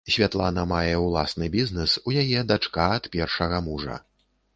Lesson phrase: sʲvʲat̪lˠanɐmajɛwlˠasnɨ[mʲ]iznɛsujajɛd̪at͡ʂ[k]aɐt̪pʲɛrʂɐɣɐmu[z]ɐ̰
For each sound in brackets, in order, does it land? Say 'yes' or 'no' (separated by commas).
no, yes, no